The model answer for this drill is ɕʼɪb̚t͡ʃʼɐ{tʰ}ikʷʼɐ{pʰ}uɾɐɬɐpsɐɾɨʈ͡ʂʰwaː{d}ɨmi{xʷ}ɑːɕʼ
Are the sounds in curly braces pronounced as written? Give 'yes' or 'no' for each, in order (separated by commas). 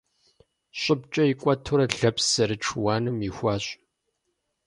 no, no, no, yes